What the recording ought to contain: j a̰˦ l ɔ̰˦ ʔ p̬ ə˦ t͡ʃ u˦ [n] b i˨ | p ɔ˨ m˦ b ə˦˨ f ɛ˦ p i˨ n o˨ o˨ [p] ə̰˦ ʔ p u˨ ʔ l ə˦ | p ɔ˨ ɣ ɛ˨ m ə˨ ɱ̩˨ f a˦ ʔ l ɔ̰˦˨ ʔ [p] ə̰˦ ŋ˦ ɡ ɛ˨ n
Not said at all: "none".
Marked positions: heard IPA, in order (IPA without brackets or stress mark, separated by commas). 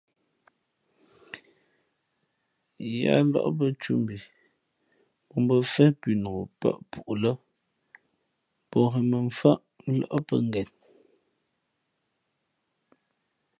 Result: m, p, p